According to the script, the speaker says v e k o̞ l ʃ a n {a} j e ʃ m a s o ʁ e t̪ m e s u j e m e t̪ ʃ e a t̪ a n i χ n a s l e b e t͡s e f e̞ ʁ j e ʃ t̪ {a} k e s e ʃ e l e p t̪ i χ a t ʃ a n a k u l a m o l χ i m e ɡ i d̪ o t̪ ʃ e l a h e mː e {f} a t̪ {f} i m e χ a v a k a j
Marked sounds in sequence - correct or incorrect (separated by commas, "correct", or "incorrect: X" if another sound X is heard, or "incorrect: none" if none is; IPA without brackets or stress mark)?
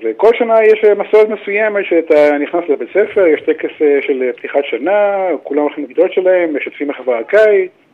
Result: correct, incorrect: e, incorrect: ʃ, correct